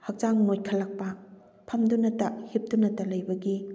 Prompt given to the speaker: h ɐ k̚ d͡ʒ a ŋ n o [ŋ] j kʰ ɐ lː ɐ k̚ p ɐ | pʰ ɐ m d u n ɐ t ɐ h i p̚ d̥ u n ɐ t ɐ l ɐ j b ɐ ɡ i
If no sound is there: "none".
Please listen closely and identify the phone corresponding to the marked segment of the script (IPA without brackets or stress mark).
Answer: none